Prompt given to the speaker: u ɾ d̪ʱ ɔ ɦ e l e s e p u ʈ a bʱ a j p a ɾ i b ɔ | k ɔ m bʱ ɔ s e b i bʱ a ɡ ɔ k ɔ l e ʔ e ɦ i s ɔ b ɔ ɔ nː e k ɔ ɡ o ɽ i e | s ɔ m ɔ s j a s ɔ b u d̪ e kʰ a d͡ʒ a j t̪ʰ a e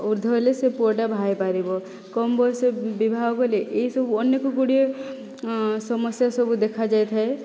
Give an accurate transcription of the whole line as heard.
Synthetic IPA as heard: u ɾ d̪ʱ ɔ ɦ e l e s e p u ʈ a bʱ a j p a ɾ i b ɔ | k ɔ m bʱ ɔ s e b i bʱ a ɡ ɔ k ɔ l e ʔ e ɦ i s ɔ b u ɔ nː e k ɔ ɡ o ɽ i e | s ɔ m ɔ s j a s ɔ b u d̪ e kʰ a d͡ʒ a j t̪ʰ a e